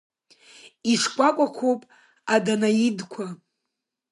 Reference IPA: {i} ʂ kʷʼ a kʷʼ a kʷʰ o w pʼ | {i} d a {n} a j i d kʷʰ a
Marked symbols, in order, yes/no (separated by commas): yes, no, yes